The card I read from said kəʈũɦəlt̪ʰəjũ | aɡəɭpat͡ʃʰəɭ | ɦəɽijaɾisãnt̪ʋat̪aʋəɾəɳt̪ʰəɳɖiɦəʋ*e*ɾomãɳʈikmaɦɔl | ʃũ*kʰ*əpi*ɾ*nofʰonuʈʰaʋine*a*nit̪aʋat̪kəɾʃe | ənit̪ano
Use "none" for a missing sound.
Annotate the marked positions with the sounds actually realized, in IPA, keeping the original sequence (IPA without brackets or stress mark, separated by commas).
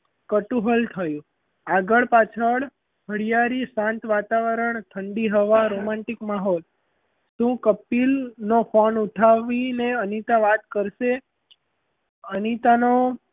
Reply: a, k, l, ə